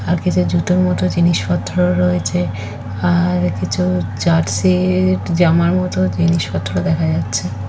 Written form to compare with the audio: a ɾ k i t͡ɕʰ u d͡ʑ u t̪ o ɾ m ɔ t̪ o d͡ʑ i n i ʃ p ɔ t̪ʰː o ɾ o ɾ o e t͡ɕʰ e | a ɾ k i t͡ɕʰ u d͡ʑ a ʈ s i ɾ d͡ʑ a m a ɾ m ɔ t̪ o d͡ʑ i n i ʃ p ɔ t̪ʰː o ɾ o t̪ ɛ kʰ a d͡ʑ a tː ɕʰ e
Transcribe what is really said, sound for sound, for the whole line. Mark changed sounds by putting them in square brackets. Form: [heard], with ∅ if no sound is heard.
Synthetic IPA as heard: a ɾ k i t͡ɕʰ u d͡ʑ u t̪ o ɾ m ɔ t̪ o d͡ʑ i n i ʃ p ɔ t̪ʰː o ɾ o ɾ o e t͡ɕʰ e | a ɾ k i t͡ɕʰ u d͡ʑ a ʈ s i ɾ d͡ʑ a m a ɾ m ɔ t̪ o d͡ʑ i n i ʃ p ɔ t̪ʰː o ɾ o [d̪] ɛ kʰ a d͡ʑ a tː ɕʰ e